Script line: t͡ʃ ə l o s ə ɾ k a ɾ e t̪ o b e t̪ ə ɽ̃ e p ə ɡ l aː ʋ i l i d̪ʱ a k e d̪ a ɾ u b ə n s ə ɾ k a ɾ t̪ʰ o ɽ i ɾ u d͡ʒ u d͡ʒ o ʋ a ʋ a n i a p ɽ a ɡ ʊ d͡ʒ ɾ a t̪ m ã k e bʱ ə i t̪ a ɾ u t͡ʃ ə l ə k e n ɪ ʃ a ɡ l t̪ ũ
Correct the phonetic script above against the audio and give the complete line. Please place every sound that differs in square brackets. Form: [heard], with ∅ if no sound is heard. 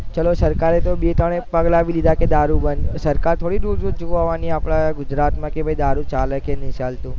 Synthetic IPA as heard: t͡ʃ ə l o s ə ɾ k a ɾ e t̪ o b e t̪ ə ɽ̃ e p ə ɡ l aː ʋ i l i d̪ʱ a k e d̪ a ɾ u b ə n s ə ɾ k a ɾ t̪ʰ o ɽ i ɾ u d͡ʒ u d͡ʒ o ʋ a ʋ a n i a p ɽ a ɡ ʊ d͡ʒ ɾ a t̪ m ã k e bʱ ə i [d̪] a ɾ u t͡ʃ [a] l ə k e n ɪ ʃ a [∅] l t̪ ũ